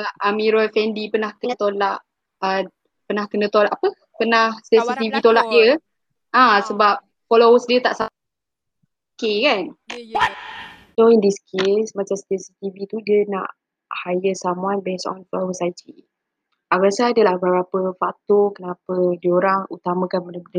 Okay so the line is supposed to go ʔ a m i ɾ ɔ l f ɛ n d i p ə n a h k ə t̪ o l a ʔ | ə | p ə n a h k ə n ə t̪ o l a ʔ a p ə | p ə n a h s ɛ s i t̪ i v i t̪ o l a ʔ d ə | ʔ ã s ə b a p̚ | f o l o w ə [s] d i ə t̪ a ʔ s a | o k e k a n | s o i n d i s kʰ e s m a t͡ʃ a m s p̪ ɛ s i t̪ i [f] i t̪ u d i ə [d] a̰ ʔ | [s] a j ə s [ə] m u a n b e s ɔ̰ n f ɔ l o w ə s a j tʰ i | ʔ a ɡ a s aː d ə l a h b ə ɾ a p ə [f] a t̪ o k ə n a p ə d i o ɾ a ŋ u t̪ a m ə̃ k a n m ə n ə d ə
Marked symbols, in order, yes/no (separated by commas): yes, no, no, no, no, yes